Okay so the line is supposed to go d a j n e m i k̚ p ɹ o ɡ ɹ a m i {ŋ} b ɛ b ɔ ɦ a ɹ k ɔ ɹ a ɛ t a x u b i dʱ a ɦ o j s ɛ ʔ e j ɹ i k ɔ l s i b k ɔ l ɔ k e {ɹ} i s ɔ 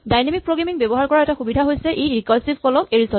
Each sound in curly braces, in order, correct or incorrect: correct, correct

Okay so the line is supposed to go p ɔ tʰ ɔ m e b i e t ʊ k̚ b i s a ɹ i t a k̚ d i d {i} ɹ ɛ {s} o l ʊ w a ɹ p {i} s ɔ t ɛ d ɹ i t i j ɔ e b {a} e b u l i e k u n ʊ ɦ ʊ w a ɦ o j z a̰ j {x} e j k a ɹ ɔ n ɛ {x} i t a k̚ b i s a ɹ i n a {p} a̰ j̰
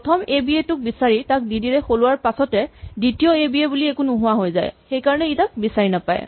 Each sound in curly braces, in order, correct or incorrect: correct, incorrect, incorrect, incorrect, correct, incorrect, correct

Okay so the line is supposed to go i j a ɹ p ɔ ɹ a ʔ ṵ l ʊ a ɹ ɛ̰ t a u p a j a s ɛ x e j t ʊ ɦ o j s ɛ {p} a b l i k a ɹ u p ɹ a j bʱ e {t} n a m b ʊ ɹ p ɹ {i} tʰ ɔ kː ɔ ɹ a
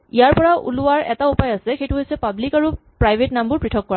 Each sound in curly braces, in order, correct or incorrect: correct, correct, correct

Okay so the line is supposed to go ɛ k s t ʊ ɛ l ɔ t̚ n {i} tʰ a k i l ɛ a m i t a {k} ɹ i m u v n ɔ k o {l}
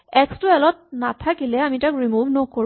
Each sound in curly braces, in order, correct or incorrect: incorrect, correct, incorrect

